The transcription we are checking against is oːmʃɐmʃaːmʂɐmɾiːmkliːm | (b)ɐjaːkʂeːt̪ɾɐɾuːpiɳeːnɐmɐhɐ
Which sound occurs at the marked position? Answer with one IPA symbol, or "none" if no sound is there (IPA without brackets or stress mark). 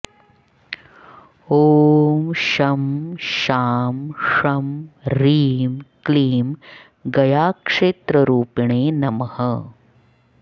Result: ɡ